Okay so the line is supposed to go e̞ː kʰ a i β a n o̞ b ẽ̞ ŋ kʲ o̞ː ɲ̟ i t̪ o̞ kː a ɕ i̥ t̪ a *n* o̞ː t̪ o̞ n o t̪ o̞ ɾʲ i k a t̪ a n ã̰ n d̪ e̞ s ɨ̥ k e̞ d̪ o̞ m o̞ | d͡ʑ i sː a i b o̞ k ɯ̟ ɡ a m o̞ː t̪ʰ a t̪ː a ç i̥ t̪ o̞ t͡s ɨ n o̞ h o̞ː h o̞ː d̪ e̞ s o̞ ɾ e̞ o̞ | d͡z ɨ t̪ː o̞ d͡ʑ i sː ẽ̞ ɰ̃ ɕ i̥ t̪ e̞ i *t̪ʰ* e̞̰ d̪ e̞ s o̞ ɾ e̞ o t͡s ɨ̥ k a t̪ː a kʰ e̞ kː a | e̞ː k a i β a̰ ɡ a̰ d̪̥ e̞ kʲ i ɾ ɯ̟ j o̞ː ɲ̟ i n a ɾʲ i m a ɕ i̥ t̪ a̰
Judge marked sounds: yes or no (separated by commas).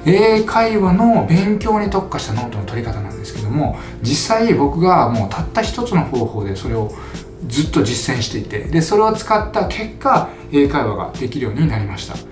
yes, no